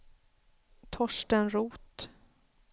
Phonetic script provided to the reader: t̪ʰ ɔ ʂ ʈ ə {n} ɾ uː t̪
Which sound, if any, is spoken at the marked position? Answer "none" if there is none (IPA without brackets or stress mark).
n